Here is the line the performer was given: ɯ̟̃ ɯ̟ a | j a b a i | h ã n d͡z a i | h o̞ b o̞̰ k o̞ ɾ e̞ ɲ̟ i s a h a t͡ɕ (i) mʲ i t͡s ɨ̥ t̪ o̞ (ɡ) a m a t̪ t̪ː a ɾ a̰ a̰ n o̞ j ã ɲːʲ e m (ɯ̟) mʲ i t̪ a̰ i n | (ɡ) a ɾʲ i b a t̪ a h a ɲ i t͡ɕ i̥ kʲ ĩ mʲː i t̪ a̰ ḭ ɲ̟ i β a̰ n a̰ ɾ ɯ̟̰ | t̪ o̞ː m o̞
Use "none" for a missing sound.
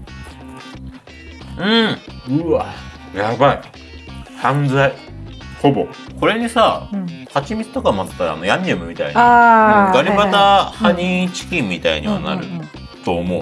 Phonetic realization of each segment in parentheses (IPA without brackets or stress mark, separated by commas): i, k, ɯ̟, ɡ